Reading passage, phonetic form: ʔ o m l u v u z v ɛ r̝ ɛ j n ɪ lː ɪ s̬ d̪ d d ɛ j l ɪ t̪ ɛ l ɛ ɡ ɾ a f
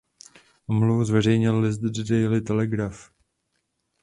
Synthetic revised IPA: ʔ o m l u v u z v ɛ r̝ ɛ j ɲ ɪ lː ɪ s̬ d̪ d d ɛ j l ɪ t̪ ɛ l ɛ ɡ ɾ a f